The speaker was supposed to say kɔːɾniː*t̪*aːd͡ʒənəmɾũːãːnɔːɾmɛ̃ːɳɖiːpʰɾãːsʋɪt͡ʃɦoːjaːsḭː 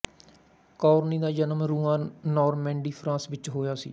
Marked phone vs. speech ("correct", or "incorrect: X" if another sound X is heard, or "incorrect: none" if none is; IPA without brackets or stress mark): incorrect: d̪